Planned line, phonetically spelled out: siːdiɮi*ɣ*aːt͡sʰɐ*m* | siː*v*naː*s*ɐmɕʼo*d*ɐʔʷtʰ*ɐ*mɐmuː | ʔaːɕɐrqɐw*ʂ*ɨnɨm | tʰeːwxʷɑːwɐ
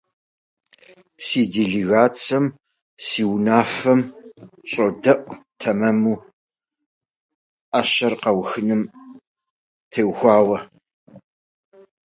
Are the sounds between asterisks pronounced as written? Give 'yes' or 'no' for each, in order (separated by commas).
yes, yes, no, no, yes, yes, no